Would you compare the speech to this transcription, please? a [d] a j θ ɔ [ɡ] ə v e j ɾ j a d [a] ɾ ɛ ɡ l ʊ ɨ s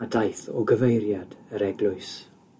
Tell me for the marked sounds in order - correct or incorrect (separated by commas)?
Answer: correct, correct, incorrect